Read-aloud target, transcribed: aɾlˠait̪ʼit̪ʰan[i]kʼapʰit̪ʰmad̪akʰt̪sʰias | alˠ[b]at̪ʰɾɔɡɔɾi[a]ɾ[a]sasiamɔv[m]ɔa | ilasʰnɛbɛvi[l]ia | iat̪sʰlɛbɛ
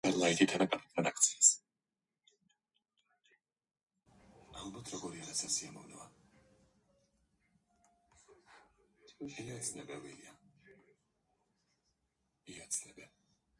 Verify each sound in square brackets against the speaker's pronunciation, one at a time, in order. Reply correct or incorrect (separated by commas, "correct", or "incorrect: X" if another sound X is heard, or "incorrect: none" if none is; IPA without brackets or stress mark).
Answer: incorrect: a, correct, correct, correct, incorrect: n, correct